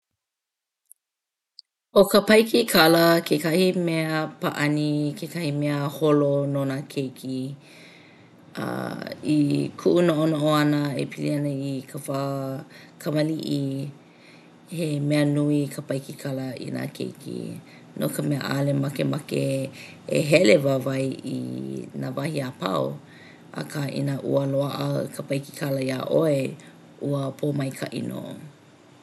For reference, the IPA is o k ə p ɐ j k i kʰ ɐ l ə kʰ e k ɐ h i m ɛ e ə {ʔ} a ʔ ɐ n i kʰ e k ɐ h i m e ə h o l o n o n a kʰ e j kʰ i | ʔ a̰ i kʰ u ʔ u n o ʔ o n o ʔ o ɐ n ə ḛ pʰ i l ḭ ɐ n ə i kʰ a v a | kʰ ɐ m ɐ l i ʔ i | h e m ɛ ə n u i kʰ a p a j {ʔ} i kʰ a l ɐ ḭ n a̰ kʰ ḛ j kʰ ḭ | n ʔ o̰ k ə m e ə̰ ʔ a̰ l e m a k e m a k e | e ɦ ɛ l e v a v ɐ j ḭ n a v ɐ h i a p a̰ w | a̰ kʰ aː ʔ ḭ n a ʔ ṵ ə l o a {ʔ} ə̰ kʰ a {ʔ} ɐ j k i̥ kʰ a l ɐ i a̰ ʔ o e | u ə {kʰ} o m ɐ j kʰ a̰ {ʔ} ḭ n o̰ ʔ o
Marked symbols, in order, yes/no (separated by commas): no, no, yes, no, no, yes